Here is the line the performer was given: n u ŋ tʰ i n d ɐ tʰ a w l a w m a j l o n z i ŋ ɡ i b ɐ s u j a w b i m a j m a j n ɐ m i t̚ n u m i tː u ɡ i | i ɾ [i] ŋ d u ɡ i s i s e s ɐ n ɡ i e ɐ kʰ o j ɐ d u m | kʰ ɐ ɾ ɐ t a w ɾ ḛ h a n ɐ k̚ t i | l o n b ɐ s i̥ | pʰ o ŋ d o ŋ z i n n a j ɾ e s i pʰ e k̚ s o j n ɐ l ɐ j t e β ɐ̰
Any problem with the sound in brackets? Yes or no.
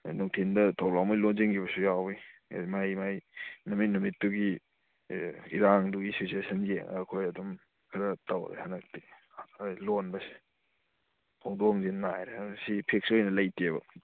yes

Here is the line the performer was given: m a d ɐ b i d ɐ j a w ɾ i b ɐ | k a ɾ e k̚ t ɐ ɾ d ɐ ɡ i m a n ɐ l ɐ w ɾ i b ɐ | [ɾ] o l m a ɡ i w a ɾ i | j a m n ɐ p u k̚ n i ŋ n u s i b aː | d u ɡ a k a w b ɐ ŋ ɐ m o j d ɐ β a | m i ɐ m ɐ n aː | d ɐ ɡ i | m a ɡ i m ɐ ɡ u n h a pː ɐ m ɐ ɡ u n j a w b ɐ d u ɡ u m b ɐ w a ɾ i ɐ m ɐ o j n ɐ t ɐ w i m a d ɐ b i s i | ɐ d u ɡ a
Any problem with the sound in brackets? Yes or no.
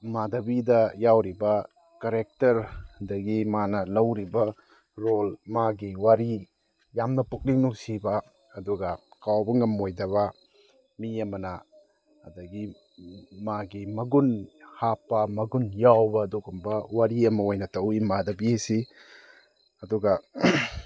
no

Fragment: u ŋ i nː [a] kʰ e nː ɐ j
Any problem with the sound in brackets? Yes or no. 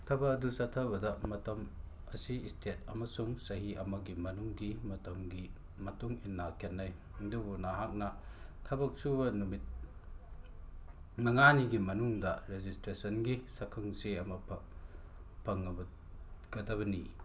no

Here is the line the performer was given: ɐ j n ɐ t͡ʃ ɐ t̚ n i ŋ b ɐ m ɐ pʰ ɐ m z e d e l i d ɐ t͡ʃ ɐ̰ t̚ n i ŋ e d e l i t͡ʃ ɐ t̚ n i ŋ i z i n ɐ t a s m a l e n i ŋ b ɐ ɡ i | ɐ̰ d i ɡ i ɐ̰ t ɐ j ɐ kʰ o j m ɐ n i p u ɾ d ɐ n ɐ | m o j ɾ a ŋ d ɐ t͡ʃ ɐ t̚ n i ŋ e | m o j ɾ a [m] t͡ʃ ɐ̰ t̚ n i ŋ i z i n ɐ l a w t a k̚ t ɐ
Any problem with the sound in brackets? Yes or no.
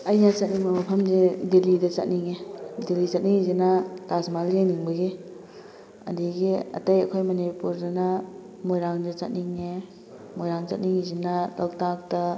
yes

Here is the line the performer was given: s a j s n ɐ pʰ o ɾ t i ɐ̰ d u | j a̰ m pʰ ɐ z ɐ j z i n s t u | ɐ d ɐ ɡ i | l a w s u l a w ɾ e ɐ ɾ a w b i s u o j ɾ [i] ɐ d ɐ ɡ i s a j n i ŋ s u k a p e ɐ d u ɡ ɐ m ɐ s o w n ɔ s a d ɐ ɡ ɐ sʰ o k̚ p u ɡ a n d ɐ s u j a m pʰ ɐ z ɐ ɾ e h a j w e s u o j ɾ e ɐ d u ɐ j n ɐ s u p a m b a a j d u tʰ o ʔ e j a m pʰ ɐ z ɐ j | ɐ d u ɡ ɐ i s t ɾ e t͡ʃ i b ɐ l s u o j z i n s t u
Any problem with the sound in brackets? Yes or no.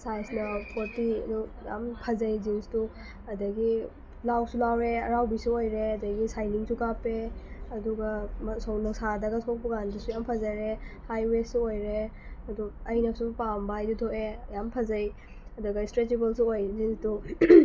yes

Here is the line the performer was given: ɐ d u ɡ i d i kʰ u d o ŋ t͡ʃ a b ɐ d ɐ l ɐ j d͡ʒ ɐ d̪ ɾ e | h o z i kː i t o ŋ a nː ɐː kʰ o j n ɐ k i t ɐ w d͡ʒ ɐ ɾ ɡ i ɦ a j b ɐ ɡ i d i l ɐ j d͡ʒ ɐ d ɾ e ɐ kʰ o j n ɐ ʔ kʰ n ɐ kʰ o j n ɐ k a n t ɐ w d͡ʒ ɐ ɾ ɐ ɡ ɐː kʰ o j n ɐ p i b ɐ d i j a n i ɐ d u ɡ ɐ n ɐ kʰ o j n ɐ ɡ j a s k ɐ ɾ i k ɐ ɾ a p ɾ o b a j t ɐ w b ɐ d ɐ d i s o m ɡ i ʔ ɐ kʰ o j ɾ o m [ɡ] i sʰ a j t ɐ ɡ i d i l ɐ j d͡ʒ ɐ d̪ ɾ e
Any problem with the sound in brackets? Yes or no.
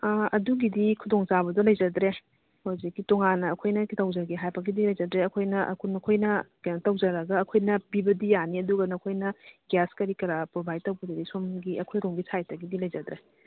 no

